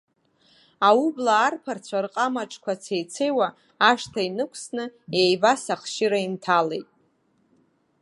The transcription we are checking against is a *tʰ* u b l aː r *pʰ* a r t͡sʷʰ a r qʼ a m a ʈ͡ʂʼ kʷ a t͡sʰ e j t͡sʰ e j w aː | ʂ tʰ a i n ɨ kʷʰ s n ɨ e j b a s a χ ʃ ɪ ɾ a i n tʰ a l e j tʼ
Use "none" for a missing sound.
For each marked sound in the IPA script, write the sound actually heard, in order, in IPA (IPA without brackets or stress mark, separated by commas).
none, pʰ